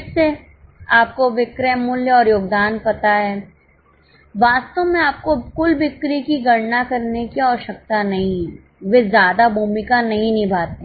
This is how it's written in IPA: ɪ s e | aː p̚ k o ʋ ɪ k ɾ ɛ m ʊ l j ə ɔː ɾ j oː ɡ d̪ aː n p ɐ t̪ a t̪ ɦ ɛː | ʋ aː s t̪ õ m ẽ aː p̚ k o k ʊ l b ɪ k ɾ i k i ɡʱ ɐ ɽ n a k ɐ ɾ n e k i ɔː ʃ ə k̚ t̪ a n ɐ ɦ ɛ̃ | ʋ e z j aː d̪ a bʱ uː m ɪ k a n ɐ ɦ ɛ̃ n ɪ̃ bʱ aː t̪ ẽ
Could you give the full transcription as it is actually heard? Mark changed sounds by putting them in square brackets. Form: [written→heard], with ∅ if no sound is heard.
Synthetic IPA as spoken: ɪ s e | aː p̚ k o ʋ ɪ k ɾ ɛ m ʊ l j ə ɔː ɾ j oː ɡ d̪ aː n p ɐ t̪ a [t̪→∅] ɦ ɛː | ʋ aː s t̪ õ m ẽ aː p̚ k o k ʊ l b ɪ k ɾ i k i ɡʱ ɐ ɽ n a k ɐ ɾ n e k i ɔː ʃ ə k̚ t̪ a n ɐ ɦ [ɛ̃→ĩ] | ʋ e z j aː d̪ a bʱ uː m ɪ k a n ɐ ɦ [ɛ̃→ĩ] n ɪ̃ bʱ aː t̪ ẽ